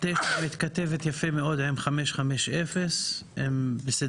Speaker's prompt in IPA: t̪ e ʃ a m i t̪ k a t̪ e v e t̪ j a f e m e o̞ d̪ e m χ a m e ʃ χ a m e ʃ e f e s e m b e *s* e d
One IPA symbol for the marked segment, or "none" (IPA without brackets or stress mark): s